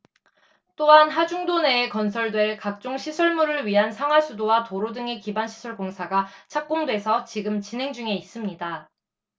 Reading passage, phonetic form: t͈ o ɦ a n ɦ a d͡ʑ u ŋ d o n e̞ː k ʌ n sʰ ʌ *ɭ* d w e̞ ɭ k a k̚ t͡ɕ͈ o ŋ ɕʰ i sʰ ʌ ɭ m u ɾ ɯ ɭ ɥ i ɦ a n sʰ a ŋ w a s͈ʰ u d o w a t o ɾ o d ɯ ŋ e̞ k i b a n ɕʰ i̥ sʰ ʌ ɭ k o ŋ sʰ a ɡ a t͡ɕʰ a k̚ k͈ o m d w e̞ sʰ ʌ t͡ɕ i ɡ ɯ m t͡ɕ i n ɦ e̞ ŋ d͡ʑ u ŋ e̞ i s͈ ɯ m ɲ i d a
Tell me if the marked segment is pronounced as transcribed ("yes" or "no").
yes